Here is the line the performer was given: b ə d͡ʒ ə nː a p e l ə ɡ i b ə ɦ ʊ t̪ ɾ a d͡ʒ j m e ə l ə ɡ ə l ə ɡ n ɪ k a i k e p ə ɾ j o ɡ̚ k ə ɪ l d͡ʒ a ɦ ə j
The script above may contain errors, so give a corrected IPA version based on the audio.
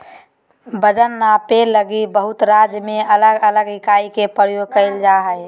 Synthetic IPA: b ə d͡ʒ ə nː a p e l ə ɡ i b ə ɦ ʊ t̪ ɾ a d͡ʒ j m e ə l ə ɡ ə l ə ɡ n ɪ k a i k e p ə ɾ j o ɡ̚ k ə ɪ l d͡ʒ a ɦ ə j